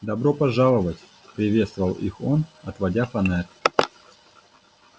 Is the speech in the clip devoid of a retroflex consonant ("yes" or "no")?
no